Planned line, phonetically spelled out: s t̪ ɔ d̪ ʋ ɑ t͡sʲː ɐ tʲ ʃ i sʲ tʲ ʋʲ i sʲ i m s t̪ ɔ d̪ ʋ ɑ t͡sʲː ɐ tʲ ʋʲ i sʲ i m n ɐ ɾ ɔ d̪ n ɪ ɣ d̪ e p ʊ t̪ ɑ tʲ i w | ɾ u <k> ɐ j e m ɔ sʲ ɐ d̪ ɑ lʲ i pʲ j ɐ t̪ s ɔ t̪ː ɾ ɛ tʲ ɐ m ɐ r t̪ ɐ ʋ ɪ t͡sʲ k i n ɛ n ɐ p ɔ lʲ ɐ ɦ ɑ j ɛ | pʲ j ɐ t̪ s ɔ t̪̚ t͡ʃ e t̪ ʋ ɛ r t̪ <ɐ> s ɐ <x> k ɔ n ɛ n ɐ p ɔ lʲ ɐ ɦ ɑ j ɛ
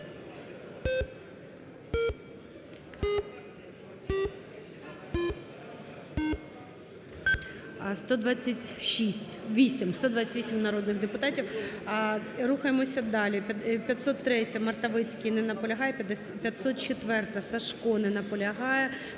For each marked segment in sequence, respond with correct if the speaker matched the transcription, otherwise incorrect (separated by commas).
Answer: incorrect, correct, incorrect